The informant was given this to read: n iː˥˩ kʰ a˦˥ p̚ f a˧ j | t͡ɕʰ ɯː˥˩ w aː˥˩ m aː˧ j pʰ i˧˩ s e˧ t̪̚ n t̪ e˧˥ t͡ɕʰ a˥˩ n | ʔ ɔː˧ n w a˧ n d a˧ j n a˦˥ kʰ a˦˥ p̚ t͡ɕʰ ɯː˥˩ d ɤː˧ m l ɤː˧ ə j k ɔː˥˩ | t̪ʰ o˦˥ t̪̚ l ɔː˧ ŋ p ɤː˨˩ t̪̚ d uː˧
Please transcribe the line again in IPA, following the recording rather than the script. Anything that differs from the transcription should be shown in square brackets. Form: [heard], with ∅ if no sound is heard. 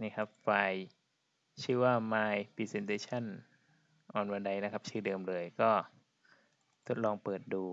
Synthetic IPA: n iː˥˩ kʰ a˦˥ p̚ f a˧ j | t͡ɕʰ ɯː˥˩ w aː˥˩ m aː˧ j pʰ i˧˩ s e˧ [∅] n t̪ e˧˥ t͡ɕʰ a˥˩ n | ʔ [ɔː˨˩] n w a˧ n d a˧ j n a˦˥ kʰ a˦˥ p̚ t͡ɕʰ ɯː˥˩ d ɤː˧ m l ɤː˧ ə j k ɔː˥˩ | t̪ʰ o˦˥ t̪̚ l ɔː˧ ŋ p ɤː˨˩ t̪̚ d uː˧